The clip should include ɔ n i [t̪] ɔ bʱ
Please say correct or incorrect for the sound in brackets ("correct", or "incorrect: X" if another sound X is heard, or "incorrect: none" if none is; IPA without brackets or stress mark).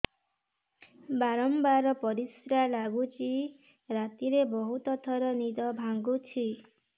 incorrect: d̪